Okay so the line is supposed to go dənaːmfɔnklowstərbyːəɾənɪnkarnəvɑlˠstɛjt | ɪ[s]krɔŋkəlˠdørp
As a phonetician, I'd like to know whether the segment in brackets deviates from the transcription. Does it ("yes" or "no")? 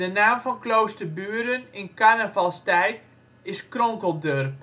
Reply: no